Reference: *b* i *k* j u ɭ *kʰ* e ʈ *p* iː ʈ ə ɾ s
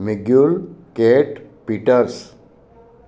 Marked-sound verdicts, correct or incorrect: incorrect: m, incorrect: ɡ, incorrect: k, correct

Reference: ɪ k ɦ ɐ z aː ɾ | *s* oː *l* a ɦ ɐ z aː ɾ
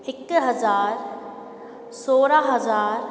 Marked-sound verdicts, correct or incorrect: correct, incorrect: ɾ

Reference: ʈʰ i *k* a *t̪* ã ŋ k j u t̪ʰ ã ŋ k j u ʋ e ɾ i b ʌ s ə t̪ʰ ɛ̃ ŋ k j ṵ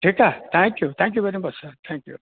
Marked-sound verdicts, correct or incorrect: correct, incorrect: t̪ʰ

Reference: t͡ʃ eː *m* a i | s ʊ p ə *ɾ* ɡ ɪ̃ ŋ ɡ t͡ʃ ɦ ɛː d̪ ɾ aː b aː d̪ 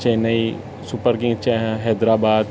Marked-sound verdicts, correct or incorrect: incorrect: n, correct

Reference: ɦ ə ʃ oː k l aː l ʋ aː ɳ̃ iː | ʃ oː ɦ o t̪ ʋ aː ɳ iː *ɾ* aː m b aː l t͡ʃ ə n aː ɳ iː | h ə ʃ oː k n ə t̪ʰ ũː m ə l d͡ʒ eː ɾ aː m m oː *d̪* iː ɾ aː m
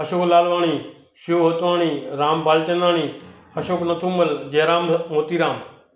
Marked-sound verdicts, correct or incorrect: correct, incorrect: t̪

